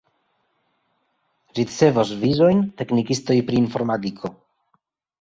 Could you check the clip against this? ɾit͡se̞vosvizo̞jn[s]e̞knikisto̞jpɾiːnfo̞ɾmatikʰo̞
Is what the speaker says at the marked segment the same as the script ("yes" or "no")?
no